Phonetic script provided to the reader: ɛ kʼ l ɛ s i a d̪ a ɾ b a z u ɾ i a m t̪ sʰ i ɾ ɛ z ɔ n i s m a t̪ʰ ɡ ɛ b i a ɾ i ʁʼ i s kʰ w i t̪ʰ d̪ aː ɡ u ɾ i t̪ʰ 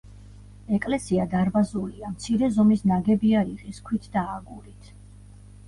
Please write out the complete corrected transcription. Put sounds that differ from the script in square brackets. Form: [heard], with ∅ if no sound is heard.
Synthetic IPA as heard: ɛ kʼ l ɛ s i a d̪ a ɾ b a z u [l] i a m t̪ sʰ i ɾ ɛ z ɔ [m] i s [n] a [∅] ɡ ɛ b i a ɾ i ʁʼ i s kʰ w i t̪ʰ d̪ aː ɡ u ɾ i t̪ʰ